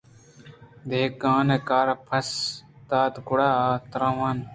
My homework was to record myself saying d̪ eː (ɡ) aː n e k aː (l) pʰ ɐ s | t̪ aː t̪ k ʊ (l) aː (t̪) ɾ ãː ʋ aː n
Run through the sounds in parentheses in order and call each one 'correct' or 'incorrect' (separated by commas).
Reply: incorrect, incorrect, incorrect, correct